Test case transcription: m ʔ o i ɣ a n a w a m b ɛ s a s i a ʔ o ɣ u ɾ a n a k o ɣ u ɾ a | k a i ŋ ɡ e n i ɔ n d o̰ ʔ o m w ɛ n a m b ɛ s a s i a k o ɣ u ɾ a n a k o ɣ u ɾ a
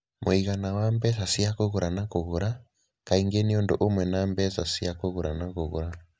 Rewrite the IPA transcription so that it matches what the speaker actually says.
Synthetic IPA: m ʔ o i ɣ a n a w a m b ɛ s a s i a k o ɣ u ɾ a n a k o ɣ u ɾ a | k a i ŋ ɡ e n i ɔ n d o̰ ʔ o m w ɛ n a m b ɛ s a s i a k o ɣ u ɾ a n a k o ɣ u ɾ a